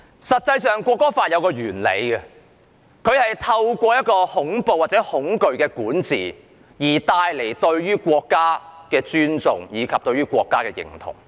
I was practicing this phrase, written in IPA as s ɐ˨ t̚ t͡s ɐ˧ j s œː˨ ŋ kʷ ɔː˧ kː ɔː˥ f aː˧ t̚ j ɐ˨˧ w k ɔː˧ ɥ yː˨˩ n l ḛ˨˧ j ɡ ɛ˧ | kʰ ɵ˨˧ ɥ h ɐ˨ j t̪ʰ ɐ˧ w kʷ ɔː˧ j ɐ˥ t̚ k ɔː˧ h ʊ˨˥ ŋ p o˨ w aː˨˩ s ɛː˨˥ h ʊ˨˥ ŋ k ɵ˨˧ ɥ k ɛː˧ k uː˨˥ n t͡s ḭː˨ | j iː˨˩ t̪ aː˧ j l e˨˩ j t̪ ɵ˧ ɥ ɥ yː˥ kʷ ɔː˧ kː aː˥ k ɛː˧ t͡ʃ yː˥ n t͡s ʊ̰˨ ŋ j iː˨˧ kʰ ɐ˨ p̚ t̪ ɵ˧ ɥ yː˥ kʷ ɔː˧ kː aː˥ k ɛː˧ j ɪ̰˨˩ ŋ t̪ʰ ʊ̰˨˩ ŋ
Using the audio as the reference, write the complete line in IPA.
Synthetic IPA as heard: s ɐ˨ t̚ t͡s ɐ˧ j s œː˨ ŋ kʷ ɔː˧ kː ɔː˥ f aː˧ t̚ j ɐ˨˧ w k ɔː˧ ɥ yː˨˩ n l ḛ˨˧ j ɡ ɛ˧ | kʰ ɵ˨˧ ɥ h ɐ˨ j t̪ʰ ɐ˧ w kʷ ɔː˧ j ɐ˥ t̚ k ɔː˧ h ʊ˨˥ ŋ p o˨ w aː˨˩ t͡s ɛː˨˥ h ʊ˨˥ ŋ k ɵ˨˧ ɥ k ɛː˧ k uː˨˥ n t͡s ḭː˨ | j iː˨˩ t̪ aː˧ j l e˨˩ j t̪ ɵ˧ ɥ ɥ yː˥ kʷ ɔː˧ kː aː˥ k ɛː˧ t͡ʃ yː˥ n t͡s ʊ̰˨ ŋ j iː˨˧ kʰ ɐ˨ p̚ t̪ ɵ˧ ɥ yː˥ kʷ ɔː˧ kː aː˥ k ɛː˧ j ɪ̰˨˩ ŋ t̪ʰ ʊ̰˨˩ ŋ